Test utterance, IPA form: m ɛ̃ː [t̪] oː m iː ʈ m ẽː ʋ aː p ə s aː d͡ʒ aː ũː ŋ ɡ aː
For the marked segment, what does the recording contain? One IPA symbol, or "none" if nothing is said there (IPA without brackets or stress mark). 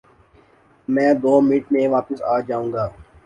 d̪